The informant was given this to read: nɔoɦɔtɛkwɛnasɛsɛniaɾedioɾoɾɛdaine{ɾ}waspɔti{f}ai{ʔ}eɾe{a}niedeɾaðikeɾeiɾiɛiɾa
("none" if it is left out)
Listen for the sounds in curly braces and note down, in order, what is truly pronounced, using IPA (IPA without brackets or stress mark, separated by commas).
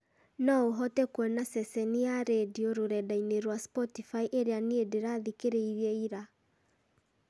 ɾ, f, ʔ, a